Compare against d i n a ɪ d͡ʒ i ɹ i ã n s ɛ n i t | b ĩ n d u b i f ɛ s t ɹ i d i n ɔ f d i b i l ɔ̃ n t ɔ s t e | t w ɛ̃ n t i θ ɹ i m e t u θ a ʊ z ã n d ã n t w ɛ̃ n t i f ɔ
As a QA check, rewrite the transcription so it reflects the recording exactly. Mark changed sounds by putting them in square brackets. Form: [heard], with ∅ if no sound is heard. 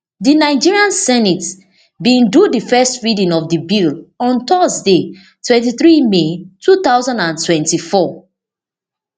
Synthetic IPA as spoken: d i n a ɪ d͡ʒ i ɹ i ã n s ɛ n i t | b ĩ n d u [d] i f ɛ s t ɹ i d [ĩ] n ɔ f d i b i l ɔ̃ n t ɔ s [d] e | t w ɛ̃ n t i θ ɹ i m e t u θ a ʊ z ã n d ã n t w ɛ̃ n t i f ɔ